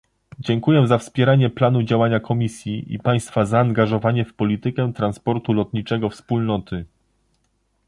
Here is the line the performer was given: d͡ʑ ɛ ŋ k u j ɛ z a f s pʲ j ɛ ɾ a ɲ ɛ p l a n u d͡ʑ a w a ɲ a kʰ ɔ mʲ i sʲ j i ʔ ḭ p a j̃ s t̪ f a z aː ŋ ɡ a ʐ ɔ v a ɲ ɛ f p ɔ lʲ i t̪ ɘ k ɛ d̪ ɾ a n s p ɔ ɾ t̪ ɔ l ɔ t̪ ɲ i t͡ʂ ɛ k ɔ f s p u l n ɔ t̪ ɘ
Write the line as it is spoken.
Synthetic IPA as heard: d͡ʑ ɛ ŋ k u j ɛ z a f s pʲ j ɛ ɾ a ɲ ɛ p l a n u d͡ʑ a w a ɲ a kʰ ɔ mʲ i sʲ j i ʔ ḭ p a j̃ s t̪ f a z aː ŋ ɡ a ʐ ɔ v a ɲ ɛ f p ɔ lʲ i t̪ ɘ k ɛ t̪ ɾ a n s p ɔ ɾ t̪ u l ɔ t̪ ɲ i t͡ʂ ɛ ɡ ɔ f s p u l n ɔ t̪ ɘ